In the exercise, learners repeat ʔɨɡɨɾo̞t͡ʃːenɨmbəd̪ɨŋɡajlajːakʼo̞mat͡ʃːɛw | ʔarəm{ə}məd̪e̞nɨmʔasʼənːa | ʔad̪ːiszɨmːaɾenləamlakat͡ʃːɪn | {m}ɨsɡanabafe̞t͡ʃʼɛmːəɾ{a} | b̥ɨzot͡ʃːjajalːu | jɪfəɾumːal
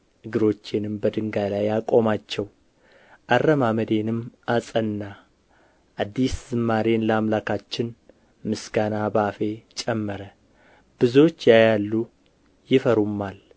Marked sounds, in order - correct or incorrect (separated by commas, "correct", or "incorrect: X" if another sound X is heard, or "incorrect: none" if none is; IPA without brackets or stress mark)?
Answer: incorrect: a, correct, incorrect: ə